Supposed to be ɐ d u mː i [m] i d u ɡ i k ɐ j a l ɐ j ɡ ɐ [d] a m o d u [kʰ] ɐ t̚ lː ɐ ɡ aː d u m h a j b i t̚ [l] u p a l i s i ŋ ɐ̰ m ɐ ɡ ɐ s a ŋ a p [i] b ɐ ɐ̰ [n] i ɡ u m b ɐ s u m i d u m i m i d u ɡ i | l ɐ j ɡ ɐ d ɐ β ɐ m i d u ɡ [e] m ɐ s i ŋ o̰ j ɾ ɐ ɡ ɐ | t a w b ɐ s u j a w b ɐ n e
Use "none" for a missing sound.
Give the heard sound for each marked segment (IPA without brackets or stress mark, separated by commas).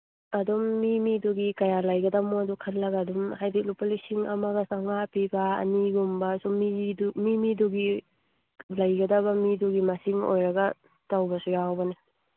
m, d, kʰ, l, i, n, i